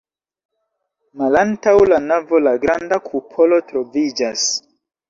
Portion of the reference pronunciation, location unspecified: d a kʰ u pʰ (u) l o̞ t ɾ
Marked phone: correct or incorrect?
incorrect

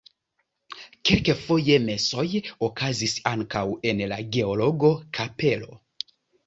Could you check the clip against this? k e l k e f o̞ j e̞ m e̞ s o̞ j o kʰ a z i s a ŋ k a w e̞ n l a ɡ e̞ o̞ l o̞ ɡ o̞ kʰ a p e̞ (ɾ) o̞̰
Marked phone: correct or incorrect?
incorrect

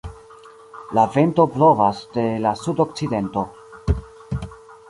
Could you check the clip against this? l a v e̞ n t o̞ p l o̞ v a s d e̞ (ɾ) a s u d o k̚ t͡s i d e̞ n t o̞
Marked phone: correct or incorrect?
incorrect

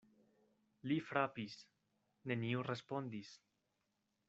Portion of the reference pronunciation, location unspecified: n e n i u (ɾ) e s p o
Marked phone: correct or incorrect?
incorrect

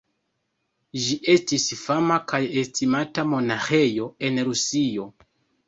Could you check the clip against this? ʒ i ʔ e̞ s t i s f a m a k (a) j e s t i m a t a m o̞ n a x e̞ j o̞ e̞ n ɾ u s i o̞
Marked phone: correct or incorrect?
correct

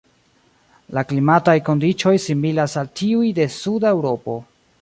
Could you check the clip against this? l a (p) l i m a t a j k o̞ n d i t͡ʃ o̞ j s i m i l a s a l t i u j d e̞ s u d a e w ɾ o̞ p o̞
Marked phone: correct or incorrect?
incorrect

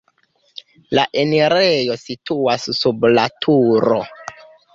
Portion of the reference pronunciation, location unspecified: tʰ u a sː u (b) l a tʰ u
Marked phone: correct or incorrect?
correct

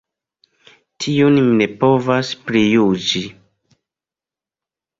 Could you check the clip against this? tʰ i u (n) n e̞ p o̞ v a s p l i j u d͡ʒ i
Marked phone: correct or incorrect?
correct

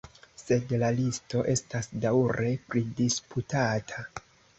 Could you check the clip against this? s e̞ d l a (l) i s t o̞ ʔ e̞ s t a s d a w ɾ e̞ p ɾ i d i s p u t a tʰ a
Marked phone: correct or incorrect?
correct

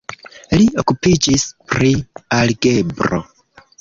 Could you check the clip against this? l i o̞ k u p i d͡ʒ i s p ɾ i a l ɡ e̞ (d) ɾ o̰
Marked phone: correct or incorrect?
incorrect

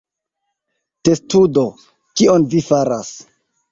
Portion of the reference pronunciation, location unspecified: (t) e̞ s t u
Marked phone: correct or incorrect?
correct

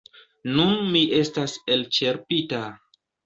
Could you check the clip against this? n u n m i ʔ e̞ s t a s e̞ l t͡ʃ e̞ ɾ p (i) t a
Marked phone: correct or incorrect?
correct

